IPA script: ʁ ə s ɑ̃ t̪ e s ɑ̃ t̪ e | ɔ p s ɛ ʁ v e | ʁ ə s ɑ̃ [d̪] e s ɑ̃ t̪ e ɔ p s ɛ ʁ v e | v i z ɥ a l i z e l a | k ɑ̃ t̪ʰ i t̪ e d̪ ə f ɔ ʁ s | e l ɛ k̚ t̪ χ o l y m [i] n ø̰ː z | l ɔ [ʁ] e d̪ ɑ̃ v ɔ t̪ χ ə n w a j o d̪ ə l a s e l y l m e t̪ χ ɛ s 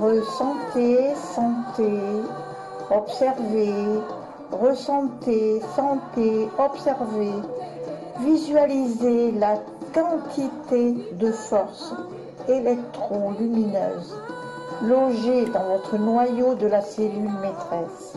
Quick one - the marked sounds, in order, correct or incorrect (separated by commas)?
incorrect, correct, incorrect